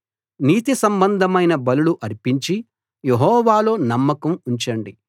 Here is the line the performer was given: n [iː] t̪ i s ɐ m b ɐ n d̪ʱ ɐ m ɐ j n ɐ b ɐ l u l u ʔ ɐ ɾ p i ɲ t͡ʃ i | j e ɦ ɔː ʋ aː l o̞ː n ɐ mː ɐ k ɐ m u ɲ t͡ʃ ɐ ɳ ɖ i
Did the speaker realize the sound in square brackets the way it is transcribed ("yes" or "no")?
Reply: yes